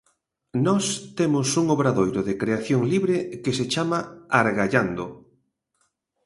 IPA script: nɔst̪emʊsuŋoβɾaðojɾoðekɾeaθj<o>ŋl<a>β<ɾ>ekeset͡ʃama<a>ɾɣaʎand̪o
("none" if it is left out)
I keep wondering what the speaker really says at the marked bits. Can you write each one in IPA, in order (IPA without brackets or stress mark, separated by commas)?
o, i, ɾ, a